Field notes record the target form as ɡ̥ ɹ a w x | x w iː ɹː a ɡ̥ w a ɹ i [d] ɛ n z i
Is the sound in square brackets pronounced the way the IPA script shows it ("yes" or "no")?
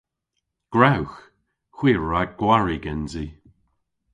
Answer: no